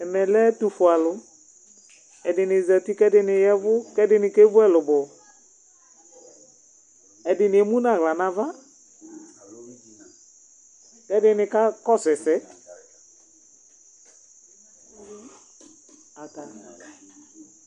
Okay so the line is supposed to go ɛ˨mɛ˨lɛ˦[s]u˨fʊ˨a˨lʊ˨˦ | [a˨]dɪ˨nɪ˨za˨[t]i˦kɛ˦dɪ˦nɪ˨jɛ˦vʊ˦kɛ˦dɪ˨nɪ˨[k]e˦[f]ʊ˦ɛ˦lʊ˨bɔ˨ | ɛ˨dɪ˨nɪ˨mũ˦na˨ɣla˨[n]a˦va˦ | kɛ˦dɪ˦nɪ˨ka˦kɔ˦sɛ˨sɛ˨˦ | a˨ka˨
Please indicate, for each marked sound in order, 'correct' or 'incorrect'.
incorrect, incorrect, correct, correct, incorrect, correct

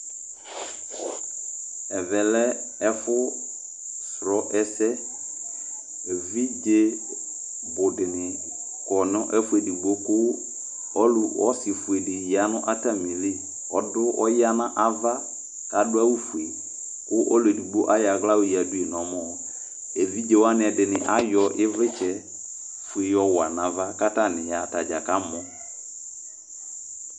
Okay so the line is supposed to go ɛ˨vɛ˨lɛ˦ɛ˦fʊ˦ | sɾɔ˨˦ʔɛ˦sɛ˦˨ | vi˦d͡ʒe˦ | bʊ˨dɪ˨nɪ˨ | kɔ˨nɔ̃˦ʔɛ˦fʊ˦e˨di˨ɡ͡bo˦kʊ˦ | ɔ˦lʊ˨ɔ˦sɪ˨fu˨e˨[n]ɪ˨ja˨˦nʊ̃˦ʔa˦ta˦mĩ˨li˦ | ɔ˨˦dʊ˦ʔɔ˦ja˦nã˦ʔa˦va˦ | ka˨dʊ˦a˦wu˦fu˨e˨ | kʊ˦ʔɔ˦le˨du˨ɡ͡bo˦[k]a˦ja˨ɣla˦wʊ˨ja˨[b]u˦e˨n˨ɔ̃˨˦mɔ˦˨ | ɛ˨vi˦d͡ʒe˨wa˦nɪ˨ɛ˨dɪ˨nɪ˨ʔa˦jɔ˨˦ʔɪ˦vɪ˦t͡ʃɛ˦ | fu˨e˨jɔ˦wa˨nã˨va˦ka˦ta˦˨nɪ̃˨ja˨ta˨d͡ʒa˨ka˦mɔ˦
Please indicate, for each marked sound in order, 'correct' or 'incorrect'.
incorrect, incorrect, incorrect

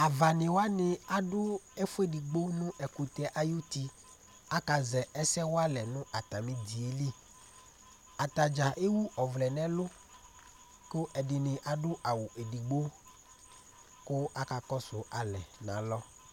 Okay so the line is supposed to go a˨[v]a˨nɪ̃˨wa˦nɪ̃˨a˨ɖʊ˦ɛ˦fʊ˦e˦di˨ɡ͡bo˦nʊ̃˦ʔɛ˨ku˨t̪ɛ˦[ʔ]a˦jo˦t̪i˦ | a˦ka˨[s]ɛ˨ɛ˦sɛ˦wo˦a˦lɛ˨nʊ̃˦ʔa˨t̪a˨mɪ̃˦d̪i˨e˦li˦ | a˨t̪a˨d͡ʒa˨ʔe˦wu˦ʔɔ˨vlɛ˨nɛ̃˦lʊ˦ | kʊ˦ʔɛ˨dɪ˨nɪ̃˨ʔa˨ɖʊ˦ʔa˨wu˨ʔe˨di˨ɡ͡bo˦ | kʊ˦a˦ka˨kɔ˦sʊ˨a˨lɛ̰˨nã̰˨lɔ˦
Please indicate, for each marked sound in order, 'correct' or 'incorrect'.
correct, correct, incorrect

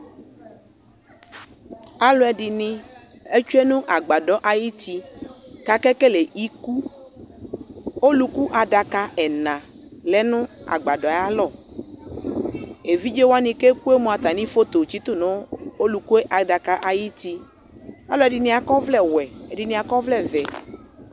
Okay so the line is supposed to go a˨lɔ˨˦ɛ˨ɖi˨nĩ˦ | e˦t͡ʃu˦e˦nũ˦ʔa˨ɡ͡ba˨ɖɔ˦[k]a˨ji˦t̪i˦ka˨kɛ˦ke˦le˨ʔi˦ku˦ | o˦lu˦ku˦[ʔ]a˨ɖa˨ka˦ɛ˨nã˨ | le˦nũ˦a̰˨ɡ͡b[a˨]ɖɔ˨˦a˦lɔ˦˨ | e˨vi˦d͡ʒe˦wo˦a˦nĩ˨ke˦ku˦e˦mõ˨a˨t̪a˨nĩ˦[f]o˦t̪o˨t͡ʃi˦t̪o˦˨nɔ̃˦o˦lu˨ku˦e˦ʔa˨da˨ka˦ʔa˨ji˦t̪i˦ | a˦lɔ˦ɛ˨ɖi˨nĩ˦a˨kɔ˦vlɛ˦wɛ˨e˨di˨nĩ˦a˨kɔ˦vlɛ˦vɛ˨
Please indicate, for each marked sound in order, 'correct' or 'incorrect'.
incorrect, correct, correct, correct

